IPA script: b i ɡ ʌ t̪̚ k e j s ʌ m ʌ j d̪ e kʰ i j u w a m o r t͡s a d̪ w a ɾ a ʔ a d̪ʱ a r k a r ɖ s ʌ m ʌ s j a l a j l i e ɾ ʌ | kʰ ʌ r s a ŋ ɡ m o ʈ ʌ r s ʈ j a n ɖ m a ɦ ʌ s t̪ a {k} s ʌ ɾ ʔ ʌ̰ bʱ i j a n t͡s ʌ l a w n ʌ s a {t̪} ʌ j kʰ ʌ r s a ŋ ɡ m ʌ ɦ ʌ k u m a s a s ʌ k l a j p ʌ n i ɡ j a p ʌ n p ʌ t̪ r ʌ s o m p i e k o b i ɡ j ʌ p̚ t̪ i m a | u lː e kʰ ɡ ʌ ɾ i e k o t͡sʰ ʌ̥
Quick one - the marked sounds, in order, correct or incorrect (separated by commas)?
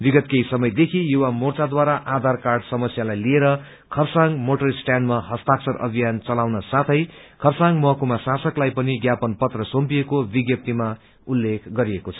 correct, incorrect